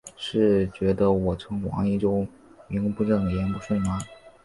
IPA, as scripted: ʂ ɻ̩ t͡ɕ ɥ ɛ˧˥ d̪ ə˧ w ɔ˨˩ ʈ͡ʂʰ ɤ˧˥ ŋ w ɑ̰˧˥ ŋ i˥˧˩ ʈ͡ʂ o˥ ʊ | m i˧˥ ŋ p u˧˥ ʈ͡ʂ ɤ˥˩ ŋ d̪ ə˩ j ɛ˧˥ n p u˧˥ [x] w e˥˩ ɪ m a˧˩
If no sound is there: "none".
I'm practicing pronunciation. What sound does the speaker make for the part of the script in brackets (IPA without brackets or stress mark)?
ʂ